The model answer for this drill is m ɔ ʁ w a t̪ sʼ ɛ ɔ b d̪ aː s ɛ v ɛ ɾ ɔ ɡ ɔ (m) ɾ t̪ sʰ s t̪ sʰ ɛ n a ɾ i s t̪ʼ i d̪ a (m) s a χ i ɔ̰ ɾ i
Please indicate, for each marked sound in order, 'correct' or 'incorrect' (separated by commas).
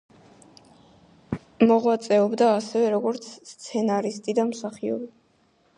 incorrect, correct